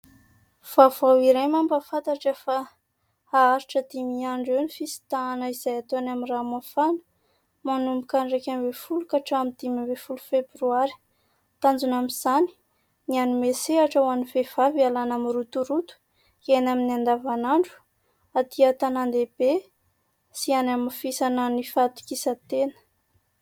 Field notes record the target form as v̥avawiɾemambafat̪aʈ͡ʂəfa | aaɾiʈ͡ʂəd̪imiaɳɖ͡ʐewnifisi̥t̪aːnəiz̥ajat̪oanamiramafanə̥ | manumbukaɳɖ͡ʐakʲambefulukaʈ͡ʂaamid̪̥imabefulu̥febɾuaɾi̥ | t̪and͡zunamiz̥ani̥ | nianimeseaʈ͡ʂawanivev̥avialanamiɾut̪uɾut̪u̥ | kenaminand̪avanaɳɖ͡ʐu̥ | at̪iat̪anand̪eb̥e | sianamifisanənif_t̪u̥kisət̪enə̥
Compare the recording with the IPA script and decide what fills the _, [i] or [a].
a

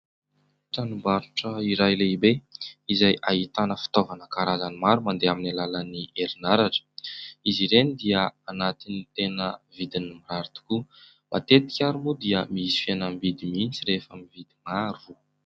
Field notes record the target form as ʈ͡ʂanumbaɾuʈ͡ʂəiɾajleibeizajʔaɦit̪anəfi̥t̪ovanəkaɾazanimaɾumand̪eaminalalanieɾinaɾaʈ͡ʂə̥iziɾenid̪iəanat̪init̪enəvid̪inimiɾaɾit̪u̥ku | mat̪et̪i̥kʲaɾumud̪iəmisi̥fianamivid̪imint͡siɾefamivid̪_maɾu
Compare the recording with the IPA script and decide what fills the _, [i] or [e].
i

